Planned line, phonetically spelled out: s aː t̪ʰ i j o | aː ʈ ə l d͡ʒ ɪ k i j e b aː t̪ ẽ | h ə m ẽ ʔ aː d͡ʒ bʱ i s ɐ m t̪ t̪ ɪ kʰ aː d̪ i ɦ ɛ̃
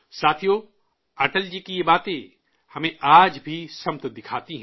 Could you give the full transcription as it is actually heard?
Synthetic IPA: s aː t̪ʰ i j o | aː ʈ ə l d͡ʒ i k i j e b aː t̪ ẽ | h ɐ m ẽ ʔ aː d͡ʒ bʱ i s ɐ m t̪ d̪ ɪ kʰ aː t̪ i ɦ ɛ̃